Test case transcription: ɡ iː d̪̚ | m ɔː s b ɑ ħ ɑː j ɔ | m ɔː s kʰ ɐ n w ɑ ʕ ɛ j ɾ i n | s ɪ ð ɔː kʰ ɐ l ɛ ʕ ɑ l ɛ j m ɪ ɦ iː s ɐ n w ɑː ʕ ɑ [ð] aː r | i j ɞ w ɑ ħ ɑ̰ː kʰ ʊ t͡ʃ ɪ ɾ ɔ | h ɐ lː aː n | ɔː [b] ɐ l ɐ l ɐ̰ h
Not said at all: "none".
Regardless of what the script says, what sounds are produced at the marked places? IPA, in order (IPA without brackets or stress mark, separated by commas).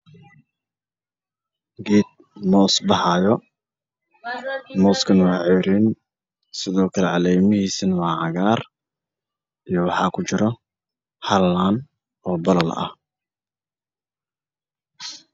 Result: ɣ, b